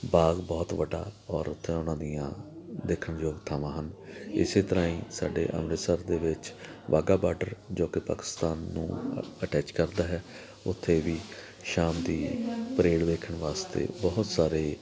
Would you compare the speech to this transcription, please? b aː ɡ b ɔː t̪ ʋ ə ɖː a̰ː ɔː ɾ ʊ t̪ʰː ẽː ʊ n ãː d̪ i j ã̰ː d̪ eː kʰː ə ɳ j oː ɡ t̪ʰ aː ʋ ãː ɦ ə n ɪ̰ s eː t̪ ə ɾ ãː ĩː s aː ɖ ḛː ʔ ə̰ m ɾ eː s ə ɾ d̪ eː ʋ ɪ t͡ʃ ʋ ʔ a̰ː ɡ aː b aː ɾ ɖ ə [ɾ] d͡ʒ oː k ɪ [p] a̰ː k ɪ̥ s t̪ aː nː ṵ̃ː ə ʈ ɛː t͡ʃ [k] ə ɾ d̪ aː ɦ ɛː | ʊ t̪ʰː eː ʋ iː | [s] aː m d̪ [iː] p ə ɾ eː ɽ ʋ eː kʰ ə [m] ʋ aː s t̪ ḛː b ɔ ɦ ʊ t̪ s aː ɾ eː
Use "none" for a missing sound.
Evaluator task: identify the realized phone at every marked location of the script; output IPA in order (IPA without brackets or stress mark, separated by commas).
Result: ɾ, p, k, ʃ, iː, ɳ